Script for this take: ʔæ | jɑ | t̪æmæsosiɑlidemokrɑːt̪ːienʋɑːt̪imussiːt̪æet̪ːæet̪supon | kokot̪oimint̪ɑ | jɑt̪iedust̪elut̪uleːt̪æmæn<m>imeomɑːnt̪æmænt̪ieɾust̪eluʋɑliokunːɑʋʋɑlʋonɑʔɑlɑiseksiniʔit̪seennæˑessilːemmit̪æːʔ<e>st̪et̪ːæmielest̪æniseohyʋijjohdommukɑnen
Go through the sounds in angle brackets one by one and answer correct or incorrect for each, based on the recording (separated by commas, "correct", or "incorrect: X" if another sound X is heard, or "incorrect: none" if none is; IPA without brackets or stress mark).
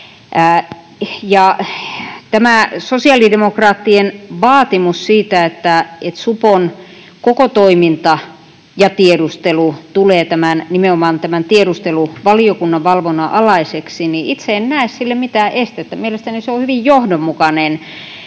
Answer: incorrect: n, correct